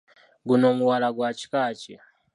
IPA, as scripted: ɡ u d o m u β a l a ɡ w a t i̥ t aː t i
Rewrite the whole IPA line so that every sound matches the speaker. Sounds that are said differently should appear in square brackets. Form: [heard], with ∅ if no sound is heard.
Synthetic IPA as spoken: ɡ u [n] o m u [w] a l a ɡ w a [t͡ʃ] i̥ [k] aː [t͡ʃ] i